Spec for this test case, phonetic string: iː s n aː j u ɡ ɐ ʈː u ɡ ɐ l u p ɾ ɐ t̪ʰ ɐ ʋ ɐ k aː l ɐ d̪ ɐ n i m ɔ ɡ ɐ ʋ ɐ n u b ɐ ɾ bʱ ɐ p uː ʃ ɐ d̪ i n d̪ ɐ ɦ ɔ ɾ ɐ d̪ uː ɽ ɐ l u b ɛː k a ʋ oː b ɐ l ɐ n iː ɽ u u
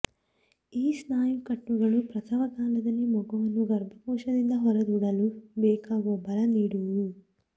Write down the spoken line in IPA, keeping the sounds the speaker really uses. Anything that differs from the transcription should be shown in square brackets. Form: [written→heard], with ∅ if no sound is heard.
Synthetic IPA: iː s n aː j u [ɡ→k] ɐ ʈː u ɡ ɐ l u p ɾ ɐ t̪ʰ ɐ ʋ ɐ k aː l ɐ d̪ ɐ n i m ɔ ɡ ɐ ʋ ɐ n u [b→ɡ] ɐ ɾ bʱ ɐ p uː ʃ ɐ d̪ i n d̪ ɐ ɦ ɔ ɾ ɐ d̪ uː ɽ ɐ l u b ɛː k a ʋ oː b ɐ l ɐ n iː ɽ u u

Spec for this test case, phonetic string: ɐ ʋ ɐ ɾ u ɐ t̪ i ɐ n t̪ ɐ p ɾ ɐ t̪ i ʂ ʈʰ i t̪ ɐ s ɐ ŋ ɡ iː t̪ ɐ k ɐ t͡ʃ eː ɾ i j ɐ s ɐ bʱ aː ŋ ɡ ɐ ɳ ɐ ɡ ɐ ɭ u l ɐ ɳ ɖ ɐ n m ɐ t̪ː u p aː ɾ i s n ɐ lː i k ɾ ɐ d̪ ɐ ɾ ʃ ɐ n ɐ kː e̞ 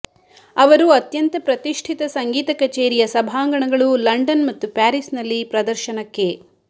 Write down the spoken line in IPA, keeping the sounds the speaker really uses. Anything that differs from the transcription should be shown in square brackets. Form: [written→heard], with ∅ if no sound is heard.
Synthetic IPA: ɐ ʋ ɐ ɾ u ɐ t̪ [i→j] ɐ n t̪ ɐ p ɾ ɐ t̪ i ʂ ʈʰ i t̪ ɐ s ɐ ŋ ɡ iː t̪ ɐ k ɐ t͡ʃ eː ɾ i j ɐ s ɐ bʱ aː ŋ ɡ ɐ ɳ ɐ ɡ ɐ ɭ u l ɐ ɳ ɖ ɐ n m ɐ t̪ː u p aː ɾ i s n ɐ lː i [k→p] ɾ ɐ d̪ ɐ ɾ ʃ ɐ n ɐ kː e̞

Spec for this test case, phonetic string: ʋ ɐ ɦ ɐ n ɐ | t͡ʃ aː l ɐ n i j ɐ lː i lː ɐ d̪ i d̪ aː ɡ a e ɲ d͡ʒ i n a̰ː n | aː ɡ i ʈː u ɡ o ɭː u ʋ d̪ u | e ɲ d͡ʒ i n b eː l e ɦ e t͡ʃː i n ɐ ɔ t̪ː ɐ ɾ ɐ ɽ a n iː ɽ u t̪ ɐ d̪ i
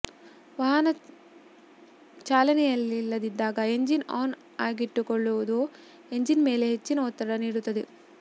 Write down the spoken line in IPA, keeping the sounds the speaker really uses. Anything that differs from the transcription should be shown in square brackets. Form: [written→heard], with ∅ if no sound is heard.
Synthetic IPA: ʋ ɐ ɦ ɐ n ɐ | t͡ʃ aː l ɐ n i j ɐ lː i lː ɐ d̪ i d̪ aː ɡ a e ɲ d͡ʒ i n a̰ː n | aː ɡ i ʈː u [ɡ→k] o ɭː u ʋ d̪ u | e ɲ d͡ʒ i n [b→m] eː l e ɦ e t͡ʃː i n ɐ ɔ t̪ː ɐ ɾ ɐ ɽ [a→ɐ] n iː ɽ u t̪ ɐ d̪ i

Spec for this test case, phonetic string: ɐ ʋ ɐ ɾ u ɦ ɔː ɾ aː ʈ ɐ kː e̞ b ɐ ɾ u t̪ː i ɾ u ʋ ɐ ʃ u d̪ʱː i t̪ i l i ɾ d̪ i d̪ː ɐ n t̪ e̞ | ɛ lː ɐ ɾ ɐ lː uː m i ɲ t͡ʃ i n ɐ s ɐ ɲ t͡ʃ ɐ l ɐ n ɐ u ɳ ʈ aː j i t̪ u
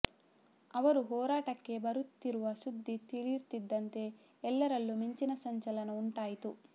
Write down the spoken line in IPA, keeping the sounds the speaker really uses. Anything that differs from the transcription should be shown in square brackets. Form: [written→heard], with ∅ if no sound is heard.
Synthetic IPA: ɐ ʋ ɐ ɾ u ɦ ɔː ɾ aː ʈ ɐ kː e̞ b ɐ ɾ u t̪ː i ɾ u ʋ ɐ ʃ u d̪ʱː i t̪ i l i ɾ [d̪→t̪] i d̪ː ɐ n t̪ e̞ | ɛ lː ɐ ɾ ɐ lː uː m i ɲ t͡ʃ i n ɐ s ɐ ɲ t͡ʃ ɐ l ɐ n ɐ u ɳ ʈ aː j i t̪ u

